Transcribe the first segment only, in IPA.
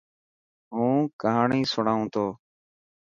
ɦ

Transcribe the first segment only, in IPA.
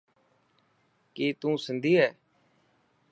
k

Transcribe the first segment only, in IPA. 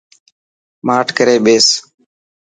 m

